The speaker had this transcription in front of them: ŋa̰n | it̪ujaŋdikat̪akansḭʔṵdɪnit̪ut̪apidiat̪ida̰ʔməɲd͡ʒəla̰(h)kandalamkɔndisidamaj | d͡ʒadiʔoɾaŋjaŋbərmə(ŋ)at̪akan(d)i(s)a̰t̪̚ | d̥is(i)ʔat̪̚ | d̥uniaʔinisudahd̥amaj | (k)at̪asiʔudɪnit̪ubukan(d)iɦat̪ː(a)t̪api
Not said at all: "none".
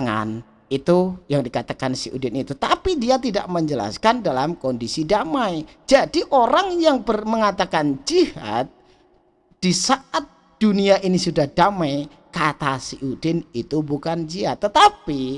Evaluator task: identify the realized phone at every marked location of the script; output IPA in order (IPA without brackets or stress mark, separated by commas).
s, ŋ, d͡ʒ, h, a, k, d͡ʒ, ə